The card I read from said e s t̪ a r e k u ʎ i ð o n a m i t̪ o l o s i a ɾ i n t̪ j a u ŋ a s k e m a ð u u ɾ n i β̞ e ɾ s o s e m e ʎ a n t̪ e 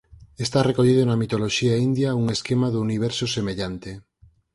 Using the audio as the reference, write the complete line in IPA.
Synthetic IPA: e s t̪ a r e k o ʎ i ð o n a m i t̪ o l o ʃ i a i n d̪ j a u ŋ e s k e m a ð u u n i β̞ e ɾ s o s e m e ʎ a n t̪ e